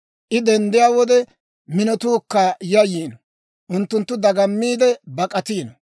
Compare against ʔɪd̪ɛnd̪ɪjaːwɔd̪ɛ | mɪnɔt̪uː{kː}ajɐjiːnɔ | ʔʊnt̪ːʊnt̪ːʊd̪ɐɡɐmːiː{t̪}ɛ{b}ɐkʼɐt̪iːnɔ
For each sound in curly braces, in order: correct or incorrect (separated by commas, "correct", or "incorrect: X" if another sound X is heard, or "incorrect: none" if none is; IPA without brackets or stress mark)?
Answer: correct, incorrect: d̪, correct